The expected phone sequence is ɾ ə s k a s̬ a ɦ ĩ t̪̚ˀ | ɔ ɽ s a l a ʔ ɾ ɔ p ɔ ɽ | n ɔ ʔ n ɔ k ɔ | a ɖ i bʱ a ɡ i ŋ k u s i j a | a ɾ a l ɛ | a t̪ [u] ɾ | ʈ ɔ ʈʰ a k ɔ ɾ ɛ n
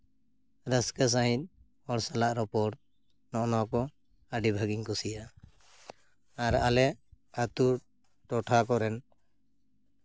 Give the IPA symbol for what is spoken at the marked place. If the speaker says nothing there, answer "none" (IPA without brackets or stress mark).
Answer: u